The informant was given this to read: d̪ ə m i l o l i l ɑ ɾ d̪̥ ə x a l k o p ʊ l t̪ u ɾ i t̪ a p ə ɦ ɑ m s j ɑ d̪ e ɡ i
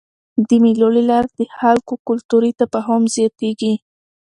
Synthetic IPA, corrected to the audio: d̪ ə m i l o l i l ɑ ɾ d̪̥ ə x a l k o k ʊ l t̪ u ɾ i t̪ a p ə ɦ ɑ m z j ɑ t̪ e ɡ i